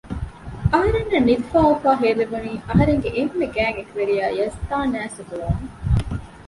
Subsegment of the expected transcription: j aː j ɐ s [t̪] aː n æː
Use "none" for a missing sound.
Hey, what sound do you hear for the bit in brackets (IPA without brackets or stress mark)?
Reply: t̪